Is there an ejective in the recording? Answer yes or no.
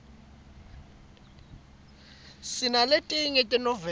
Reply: yes